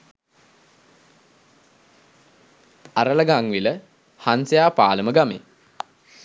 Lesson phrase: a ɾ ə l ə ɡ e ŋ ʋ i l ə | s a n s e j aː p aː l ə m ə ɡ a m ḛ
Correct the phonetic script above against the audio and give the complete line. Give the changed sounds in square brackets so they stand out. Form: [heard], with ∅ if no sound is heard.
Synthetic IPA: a ɾ ə l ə ɡ [a] ŋ ʋ i l ə | [h] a n s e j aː p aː l ə m ə ɡ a m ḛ